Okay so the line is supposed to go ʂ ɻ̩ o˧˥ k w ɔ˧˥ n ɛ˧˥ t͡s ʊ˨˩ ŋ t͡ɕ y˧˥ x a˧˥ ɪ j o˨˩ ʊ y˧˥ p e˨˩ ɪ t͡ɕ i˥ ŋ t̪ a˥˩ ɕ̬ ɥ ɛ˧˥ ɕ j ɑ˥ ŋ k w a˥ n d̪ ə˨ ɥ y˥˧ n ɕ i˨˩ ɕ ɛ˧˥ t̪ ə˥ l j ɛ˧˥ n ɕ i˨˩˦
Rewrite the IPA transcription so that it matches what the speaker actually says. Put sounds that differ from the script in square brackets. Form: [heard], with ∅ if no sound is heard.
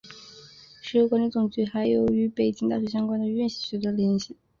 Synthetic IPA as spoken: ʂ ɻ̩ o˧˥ k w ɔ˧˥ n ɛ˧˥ t͡s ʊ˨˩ ŋ t͡ɕ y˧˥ x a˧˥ ɪ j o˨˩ ʊ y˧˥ p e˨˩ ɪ t͡ɕ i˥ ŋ t̪ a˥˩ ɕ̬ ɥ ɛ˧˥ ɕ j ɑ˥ ŋ k w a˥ n d̪ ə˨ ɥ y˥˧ n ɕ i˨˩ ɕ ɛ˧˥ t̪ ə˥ l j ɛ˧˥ n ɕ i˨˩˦